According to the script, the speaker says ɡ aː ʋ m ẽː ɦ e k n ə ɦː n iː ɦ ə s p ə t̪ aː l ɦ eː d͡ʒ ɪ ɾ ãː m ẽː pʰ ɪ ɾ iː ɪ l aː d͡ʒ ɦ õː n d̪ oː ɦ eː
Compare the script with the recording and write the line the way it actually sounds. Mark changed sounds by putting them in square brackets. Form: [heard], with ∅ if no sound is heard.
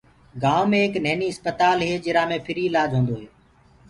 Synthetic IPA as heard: ɡ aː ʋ m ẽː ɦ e k n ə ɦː n iː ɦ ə s p ə t̪ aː l ɦ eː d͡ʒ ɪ ɾ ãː m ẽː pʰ ɪ ɾ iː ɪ l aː d͡ʒ ɦ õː n d̪ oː ɦ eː